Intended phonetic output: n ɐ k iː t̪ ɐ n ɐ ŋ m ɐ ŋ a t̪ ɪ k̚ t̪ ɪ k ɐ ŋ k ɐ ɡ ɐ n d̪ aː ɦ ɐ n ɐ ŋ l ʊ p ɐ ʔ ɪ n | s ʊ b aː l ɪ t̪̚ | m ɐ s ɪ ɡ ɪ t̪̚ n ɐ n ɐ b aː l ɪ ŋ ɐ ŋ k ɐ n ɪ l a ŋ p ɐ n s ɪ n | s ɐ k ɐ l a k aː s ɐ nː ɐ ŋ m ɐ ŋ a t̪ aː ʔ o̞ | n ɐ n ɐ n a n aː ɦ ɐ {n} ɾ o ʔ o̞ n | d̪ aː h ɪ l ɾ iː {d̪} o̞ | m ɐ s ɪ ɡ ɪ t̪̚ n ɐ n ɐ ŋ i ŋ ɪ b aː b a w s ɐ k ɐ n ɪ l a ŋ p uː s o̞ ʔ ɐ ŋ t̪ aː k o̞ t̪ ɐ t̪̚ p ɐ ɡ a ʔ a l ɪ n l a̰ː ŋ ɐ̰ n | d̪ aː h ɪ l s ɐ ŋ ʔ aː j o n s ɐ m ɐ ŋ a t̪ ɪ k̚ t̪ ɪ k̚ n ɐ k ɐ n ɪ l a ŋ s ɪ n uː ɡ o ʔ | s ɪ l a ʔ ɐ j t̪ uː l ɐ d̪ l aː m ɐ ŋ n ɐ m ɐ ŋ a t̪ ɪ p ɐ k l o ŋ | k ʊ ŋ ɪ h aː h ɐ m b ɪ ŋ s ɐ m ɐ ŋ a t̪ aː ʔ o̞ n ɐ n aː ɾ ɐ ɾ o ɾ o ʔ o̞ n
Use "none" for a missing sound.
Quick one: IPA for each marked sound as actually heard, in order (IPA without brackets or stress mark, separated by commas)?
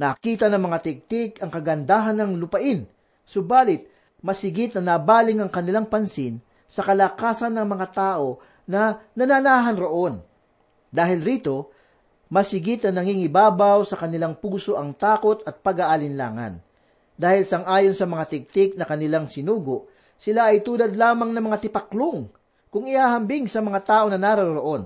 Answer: n, t̪